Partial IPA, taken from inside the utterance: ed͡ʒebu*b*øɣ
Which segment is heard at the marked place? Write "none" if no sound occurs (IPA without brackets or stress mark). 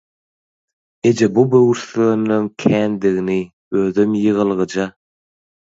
b